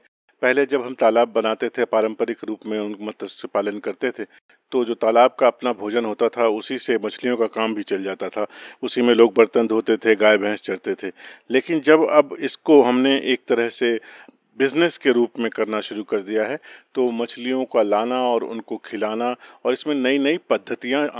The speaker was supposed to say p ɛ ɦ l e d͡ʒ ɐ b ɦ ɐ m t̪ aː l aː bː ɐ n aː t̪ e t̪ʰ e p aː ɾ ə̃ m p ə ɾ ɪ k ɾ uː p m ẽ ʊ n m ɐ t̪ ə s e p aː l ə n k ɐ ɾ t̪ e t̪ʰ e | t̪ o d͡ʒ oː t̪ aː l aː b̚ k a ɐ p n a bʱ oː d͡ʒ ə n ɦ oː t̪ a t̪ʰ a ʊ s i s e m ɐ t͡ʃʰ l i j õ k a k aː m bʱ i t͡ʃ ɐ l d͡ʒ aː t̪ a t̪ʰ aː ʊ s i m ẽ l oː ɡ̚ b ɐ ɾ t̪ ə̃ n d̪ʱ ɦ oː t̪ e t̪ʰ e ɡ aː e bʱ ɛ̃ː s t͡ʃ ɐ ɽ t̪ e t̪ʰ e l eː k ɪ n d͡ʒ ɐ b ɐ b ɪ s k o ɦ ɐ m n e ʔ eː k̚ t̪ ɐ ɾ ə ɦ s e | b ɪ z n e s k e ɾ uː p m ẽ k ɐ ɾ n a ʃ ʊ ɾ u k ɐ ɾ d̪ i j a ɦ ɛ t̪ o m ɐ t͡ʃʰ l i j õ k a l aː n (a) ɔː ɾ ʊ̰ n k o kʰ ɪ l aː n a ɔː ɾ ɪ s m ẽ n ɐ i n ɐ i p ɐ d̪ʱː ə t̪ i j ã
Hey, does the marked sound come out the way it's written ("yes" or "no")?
yes